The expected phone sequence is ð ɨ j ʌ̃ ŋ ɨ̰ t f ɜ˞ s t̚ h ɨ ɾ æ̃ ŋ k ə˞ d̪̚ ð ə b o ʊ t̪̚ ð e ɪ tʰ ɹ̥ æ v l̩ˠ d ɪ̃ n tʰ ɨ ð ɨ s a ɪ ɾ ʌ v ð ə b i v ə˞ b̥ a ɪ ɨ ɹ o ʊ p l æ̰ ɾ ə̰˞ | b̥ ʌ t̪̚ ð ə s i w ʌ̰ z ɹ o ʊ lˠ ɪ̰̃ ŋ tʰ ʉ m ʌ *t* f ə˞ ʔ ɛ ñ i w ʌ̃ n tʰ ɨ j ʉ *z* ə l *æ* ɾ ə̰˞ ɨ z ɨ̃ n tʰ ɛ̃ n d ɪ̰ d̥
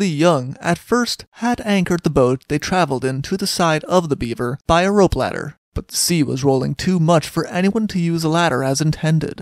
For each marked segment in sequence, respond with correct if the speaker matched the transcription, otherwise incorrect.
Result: incorrect, correct, correct

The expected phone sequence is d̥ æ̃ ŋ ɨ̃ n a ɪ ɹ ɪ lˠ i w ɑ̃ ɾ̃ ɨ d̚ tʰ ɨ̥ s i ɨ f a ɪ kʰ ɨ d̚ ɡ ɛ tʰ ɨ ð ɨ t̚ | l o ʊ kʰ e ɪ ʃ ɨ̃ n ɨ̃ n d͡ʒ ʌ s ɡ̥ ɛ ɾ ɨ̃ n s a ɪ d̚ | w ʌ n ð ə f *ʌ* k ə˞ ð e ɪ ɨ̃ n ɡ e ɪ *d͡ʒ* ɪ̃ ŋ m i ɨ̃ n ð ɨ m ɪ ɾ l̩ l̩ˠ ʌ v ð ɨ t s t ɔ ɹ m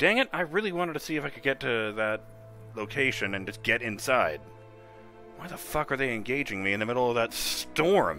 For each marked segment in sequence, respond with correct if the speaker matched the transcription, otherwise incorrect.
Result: correct, correct

